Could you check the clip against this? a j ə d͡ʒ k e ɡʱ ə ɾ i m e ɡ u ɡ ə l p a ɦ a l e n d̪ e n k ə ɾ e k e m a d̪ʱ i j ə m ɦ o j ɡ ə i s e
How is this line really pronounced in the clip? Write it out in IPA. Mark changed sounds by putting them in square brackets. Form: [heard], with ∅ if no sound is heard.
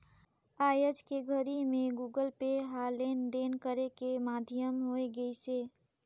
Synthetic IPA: a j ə d͡ʒ k e ɡʱ ə ɾ i m e ɡ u ɡ ə l p [e] ɦ a l e n d̪ e n k ə ɾ e k e m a d̪ʱ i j ə m ɦ o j ɡ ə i s e